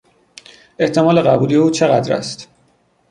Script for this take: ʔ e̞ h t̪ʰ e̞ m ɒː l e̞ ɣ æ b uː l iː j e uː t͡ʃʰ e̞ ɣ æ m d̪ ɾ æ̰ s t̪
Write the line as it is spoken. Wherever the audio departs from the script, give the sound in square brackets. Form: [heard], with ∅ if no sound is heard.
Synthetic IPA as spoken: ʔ e̞ h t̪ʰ e̞ m ɒː l e̞ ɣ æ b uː l [i] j e uː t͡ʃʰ e̞ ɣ æ [∅] d̪ ɾ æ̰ s t̪